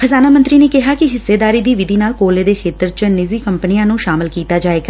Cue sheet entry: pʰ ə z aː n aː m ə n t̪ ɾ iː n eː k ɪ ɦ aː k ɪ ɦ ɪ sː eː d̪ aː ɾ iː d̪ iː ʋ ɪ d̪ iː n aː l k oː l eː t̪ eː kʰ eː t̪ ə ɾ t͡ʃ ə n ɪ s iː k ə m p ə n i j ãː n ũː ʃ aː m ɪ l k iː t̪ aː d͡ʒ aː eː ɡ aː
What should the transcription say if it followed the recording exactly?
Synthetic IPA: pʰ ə z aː n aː m ə n t̪ ɾ iː n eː k ɪ ɦ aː k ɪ ɦ ɪ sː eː d̪ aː ɾ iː d̪ iː ʋ ɪ d̪ iː n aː l k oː l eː d̪ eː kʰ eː t̪ ə ɾ t͡ʃ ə n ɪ z iː k ə m p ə n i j ãː n ũː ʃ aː m ɪ l k iː t̪ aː d͡ʒ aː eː ɡ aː